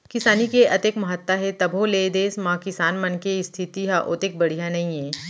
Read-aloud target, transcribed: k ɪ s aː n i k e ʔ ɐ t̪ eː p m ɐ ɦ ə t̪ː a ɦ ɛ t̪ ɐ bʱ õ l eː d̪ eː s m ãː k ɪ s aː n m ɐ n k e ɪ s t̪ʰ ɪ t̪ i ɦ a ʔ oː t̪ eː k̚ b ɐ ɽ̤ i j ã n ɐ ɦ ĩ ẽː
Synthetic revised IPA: k ɪ s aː n i k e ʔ ɐ t̪ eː k m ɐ ɦ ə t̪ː a ɦ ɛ t̪ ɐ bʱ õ l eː d̪ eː s m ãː k ɪ s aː n m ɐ n k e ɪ s t̪ʰ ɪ t̪ i ɦ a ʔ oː t̪ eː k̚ b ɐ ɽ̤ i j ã n ɐ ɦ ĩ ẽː